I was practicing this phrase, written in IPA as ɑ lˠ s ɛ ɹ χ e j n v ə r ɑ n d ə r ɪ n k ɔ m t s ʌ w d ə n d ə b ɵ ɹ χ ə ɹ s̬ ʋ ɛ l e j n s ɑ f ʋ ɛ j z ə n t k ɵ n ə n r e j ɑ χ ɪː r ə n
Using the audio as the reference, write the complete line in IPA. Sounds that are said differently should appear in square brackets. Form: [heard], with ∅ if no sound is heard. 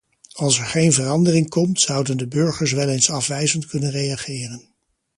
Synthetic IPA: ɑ lˠ s ɛ ɹ χ e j n v ə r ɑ n d ə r ɪ [ŋ] k ɔ m t s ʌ w d ə n d ə b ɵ ɹ χ ə ɹ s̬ ʋ ɛ l e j n s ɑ f ʋ ɛ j z ə n t k ɵ n ə n r e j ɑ χ ɪː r ə n